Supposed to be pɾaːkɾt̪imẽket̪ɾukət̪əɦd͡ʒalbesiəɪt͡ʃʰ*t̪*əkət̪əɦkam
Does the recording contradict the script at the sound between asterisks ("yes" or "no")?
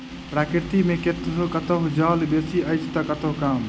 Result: no